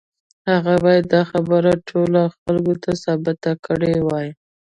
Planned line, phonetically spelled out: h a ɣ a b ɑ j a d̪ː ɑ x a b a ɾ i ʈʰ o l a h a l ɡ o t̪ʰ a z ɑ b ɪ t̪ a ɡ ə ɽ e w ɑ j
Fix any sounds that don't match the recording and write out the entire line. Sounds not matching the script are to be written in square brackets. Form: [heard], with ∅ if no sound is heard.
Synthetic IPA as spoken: h a ɣ a b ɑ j a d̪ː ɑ x a b [ə] ɾ [a] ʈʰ o l a [x] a l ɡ o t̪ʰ a [s] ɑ b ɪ t̪ a [k] ə ɽ e w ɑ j